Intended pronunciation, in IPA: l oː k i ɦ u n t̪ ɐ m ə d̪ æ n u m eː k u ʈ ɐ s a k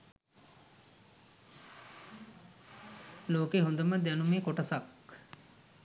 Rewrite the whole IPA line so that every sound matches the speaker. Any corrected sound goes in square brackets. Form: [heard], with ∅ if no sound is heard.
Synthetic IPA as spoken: l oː k [e] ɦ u n [d̪] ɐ m ə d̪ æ n u m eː k [o] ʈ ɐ s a k